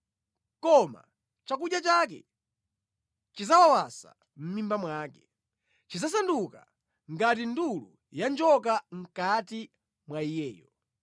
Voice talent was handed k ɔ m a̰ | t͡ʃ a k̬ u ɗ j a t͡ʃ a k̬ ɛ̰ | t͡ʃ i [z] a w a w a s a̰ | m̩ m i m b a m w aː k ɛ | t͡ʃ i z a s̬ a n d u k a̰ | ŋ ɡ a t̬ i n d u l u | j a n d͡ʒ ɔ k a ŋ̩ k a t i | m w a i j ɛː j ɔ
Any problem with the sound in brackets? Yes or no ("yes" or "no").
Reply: no